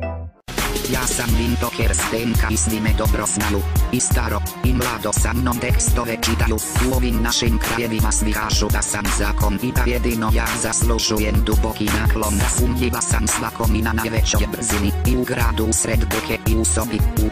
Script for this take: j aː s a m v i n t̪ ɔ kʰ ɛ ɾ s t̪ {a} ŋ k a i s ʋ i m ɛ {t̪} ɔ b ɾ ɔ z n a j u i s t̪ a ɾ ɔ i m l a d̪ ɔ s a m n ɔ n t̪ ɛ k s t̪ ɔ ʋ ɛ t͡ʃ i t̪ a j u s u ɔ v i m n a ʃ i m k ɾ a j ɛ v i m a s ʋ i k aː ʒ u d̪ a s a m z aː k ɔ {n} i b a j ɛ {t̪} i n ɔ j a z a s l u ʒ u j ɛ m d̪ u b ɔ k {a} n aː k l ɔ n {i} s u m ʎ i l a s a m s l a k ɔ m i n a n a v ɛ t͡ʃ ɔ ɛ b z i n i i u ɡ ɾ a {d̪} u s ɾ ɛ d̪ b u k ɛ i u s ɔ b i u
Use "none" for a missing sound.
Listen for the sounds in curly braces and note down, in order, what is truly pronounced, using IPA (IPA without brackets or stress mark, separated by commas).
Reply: ɛ, d̪, n, d̪, i, a, d̪